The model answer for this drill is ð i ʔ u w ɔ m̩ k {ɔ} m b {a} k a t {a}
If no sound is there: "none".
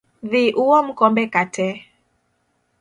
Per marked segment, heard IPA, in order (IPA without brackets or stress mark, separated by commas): ɔ, ɛ, ɛ